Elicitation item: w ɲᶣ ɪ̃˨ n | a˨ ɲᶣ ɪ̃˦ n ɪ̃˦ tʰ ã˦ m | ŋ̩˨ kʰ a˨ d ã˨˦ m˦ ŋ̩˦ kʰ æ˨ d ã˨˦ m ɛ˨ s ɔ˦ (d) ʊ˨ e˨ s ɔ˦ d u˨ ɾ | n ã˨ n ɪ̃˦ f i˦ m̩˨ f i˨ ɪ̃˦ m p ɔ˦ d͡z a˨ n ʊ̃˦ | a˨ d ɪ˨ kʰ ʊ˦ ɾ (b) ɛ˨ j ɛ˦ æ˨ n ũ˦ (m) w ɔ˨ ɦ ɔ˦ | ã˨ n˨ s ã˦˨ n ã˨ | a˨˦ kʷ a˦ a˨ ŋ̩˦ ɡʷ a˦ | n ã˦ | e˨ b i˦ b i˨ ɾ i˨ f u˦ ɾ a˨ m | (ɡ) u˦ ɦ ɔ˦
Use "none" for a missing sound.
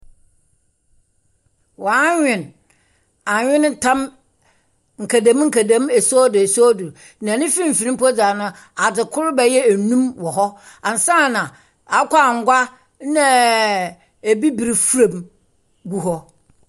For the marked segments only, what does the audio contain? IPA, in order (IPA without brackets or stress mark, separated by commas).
d, b, m, ɡ